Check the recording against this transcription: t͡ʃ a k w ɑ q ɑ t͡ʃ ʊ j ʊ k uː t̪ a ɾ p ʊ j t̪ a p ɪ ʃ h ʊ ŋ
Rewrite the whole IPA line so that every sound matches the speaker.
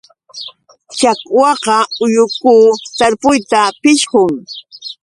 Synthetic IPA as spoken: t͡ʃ a k w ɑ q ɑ ʊ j ʊ k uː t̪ a ɾ p ʊ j t̪ a p ɪ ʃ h ʊ ŋ